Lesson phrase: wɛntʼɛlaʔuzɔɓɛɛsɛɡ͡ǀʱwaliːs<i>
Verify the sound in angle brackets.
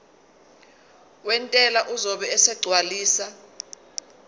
incorrect: a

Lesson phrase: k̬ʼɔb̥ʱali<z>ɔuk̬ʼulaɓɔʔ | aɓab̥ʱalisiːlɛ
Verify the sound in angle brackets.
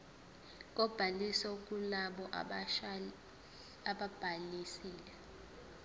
incorrect: s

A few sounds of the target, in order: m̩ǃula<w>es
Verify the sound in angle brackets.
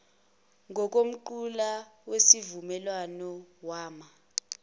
correct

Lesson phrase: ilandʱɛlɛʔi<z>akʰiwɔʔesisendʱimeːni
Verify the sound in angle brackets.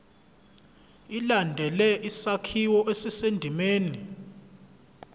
incorrect: s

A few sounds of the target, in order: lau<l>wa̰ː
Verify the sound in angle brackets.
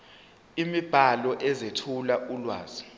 correct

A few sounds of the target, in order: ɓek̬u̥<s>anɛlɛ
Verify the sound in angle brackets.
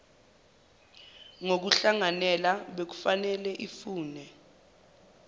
incorrect: f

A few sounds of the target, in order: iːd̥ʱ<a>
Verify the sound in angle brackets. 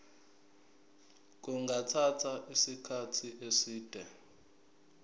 incorrect: ɛ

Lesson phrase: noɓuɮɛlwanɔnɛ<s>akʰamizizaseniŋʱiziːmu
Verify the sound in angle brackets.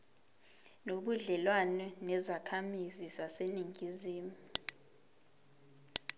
incorrect: z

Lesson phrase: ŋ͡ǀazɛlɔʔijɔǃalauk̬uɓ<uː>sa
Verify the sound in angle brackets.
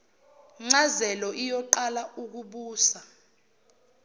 correct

